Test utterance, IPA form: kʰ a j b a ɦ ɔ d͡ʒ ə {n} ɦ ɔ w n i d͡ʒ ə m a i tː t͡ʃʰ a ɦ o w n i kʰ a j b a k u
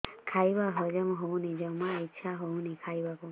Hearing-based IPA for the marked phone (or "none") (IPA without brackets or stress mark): m